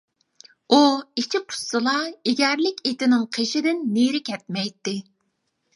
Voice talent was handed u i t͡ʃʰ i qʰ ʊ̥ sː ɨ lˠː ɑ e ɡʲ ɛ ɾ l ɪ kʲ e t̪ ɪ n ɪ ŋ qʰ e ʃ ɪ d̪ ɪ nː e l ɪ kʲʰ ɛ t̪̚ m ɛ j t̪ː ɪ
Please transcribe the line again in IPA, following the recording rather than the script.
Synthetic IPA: u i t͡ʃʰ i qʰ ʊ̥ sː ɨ lˠ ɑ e ɡʲ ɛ ɾ l ɪ kʲ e t̪ ɪ n ɪ ŋ qʰ e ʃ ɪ d̪ ɪ nː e ɾ ɪ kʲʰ ɛ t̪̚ m ɛ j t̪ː ɪ